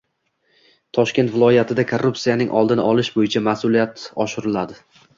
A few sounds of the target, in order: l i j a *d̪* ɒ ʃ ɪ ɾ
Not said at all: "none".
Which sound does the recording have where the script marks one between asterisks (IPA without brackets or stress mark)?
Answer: t̪